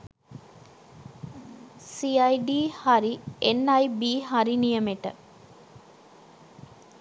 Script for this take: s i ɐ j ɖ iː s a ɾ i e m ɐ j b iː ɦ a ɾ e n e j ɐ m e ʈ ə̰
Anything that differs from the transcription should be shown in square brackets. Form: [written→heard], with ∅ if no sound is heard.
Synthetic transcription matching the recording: s i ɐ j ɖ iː [s→h] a ɾ i e [m→n] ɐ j b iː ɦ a ɾ [e→i] n [e→i] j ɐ m e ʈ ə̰